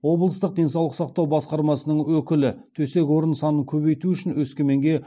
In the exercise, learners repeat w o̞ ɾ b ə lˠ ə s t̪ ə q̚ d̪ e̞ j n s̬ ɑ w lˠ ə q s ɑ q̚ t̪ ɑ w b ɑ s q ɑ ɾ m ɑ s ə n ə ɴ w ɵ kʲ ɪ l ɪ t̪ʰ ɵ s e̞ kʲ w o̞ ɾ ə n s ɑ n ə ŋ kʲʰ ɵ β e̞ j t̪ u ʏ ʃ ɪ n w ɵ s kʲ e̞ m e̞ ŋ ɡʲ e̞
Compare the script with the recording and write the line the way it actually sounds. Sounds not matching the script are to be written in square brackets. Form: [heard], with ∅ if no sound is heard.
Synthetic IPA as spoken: w o̞ [∅] b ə lˠ ə s t̪ ə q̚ d̪ e̞ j n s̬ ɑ w lˠ ə q s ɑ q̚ t̪ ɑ w b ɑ s q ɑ ɾ m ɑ s ə n ə ɴ w ɵ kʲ ɪ l ɪ t̪ʰ ɵ s e̞ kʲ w o̞ ɾ ə n s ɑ n ə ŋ kʲʰ ɵ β e̞ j t̪ u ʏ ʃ ɪ n w ɵ s kʲ e̞ m e̞ ŋ ɡʲ e̞